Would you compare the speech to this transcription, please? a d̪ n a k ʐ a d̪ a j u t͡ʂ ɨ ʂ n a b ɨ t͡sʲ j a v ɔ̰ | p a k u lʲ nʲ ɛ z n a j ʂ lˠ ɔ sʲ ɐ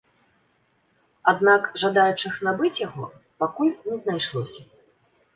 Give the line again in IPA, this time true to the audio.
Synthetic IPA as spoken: a d̪ n a k ʐ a d̪ a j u t͡ʂ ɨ x n a b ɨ t͡sʲ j a ɣ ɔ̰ | p a k u lʲ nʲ ɛ z n a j ʂ lˠ ɔ sʲ ɐ